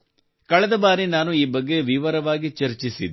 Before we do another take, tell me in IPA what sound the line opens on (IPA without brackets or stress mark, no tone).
k